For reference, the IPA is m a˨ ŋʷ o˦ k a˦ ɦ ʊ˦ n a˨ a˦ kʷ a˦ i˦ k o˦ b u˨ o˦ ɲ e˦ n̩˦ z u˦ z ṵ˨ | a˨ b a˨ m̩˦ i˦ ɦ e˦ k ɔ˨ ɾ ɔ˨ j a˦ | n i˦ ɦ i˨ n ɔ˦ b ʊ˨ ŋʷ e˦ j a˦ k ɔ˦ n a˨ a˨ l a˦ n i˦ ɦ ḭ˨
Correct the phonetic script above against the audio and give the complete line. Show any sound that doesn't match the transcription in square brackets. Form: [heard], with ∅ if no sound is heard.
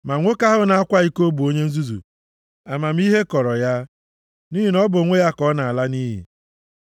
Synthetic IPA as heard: m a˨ ŋʷ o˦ k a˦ ɦ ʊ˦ n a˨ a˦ kʷ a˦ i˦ k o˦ b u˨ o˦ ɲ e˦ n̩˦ z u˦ z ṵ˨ | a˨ [m] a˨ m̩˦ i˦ ɦ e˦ k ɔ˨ ɾ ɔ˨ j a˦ | n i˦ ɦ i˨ n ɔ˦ b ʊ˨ ŋʷ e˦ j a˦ k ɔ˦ n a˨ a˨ l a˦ n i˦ ɦ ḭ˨